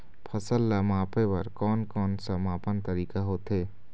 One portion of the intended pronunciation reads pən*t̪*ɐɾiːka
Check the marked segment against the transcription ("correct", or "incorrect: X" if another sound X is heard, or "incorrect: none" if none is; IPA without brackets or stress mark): correct